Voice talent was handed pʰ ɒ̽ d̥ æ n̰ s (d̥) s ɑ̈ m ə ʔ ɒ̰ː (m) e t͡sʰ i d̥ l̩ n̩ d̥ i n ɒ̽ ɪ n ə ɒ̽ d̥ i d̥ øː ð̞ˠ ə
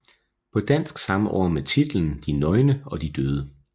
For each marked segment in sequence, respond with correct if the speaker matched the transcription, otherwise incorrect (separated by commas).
incorrect, correct